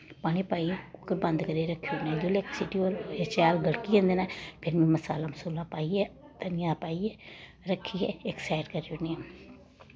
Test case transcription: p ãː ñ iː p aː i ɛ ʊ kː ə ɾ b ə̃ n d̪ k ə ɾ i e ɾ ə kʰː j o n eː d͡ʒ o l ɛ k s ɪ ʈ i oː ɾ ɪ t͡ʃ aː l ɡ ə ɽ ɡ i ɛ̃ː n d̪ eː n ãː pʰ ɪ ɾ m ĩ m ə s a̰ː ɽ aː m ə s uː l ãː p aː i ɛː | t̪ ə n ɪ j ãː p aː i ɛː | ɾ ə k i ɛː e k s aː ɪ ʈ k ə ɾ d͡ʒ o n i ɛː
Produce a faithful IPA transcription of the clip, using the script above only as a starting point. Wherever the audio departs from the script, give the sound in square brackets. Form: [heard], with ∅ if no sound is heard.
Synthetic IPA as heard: p [aː] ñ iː p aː i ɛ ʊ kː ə ɾ b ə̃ n d̪ k ə ɾ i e ɾ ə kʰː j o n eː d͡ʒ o l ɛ k s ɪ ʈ i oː ɾ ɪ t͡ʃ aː l ɡ ə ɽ [k] i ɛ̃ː n d̪ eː n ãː pʰ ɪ ɾ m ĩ m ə s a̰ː [l] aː m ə s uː l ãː p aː i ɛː | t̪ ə n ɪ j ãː p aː i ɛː | ɾ ə [kʰ] i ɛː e k s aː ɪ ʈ k ə ɾ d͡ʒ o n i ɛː

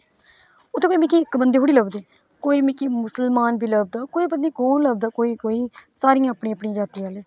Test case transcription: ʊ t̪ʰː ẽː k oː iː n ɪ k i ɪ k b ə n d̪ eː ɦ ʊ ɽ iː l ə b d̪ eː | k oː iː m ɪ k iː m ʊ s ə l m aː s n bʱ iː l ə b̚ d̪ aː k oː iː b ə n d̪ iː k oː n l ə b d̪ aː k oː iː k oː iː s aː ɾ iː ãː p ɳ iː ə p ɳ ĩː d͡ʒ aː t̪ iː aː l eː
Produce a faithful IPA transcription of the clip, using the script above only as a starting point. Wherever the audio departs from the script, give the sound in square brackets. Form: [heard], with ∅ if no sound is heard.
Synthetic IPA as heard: ʊ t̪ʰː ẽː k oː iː [m] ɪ k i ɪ k b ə n d̪ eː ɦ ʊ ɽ iː l ə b d̪ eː | k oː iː m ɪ k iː m ʊ s ə l m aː [∅] n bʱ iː l ə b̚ d̪ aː k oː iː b ə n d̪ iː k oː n l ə b d̪ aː k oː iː k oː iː s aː ɾ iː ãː p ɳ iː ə p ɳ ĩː d͡ʒ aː t̪ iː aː l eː

